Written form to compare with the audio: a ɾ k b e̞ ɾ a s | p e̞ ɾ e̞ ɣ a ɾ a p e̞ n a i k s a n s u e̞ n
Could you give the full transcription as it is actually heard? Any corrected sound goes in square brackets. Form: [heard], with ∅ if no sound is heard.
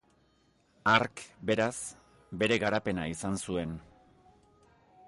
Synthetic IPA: a ɾ k b e̞ ɾ a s | [b] e̞ ɾ e̞ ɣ a ɾ a p e̞ n a i [∅] s a n s u e̞ n